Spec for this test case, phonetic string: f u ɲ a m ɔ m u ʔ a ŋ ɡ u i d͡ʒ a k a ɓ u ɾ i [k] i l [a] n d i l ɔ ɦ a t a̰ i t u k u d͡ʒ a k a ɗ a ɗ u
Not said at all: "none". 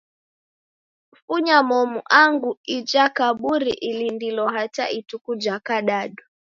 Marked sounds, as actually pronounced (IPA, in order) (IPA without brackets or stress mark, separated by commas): ʔ, i